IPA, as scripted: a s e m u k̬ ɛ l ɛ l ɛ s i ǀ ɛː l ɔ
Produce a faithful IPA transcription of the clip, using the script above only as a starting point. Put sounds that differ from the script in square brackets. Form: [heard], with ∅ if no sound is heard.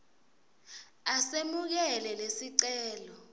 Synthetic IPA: a s e m u k̬ ɛ l ɛ l [e] s i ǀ ɛː l ɔ